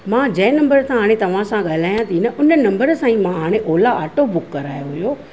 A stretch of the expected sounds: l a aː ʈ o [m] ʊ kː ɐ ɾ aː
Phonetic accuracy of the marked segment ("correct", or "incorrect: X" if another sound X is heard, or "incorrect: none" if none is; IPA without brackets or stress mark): incorrect: b